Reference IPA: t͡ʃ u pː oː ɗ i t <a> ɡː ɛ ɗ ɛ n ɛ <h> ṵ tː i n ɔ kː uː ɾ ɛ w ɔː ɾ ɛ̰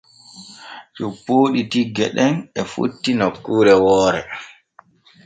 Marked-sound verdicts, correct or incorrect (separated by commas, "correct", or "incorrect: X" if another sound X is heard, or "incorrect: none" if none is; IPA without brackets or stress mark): incorrect: i, incorrect: f